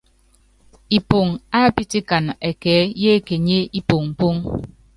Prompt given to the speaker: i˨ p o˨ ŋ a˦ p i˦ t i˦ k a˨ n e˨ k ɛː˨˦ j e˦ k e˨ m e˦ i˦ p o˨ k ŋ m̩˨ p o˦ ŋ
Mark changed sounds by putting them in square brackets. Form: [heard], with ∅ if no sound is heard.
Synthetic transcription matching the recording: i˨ p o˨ ŋ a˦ p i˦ t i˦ k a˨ n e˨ k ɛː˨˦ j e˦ k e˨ [ɲ] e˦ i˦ p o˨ [∅] ŋ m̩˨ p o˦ ŋ

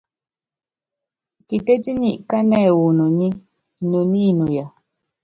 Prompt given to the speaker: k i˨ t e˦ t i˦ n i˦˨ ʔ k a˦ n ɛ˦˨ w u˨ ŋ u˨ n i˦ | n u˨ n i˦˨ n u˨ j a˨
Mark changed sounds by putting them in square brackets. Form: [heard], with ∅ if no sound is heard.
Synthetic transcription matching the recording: k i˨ t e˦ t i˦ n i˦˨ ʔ k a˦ n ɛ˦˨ w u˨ [n] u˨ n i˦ | n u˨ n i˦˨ n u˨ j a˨

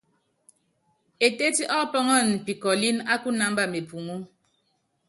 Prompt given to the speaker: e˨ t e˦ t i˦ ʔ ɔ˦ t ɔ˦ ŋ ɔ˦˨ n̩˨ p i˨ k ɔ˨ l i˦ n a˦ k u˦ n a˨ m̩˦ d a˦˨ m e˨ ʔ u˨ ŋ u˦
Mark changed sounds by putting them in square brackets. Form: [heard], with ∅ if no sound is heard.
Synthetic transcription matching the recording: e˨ t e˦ t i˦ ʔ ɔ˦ [p] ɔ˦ ŋ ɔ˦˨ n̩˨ p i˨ k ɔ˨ l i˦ n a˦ k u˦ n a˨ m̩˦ [b] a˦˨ m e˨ [p] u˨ ŋ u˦

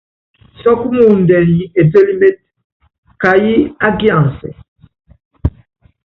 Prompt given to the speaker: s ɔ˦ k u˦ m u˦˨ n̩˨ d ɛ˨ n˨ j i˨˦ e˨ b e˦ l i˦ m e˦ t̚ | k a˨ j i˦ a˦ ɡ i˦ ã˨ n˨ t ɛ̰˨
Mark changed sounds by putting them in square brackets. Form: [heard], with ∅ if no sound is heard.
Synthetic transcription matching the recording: s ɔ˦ k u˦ m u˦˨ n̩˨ d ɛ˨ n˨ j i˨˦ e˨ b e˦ l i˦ m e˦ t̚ | k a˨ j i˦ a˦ ɡ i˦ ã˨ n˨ [s] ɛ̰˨

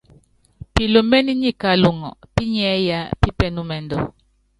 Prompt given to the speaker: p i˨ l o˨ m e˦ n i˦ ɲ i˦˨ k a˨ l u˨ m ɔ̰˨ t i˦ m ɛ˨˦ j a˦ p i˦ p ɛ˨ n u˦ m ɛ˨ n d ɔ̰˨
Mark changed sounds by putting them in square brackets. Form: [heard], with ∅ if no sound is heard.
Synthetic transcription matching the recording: p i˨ l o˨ m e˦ n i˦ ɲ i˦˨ k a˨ l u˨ [ŋ] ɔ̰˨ [p] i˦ [ɲ] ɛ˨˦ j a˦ p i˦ p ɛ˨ n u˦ m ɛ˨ n d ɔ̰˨

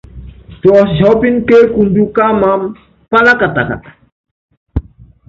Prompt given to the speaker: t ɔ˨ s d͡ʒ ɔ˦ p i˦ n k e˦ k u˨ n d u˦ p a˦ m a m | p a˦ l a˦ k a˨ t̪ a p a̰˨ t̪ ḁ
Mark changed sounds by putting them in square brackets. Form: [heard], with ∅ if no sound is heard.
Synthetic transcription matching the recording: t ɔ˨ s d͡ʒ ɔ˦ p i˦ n k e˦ k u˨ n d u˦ [k] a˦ m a m | p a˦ l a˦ k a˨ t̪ a [k] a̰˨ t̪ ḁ

